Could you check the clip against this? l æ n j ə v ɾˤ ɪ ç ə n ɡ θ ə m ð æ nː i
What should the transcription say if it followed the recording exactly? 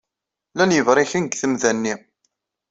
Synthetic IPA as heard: l æ n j ə v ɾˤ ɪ ç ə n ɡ θ ə m ð æ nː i